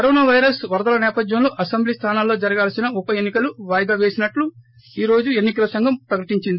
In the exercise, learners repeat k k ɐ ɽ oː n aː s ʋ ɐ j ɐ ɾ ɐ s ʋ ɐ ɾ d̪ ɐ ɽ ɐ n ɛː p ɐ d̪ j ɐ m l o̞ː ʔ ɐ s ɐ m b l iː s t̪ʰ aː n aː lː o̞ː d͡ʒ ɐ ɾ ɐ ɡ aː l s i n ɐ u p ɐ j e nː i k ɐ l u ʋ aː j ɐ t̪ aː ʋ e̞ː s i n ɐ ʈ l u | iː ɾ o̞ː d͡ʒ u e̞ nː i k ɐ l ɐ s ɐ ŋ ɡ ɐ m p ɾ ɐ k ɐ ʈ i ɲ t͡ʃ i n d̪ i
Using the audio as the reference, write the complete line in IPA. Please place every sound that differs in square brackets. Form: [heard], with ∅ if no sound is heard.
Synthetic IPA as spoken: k k ɐ [ɾ] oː n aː [∅] ʋ ɐ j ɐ ɾ ɐ s ʋ ɐ ɾ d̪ ɐ [l] ɐ n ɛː p ɐ d̪ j ɐ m l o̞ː ʔ ɐ s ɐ m b l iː s t̪ʰ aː n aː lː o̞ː d͡ʒ ɐ ɾ ɐ ɡ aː l s i n ɐ u p ɐ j e nː i k ɐ l u ʋ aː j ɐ [d̪] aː ʋ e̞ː s i n ɐ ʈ l u | iː ɾ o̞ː d͡ʒ u e̞ nː i k ɐ l ɐ s ɐ ŋ ɡ ɐ m p ɾ ɐ k ɐ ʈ i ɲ t͡ʃ i n d̪ i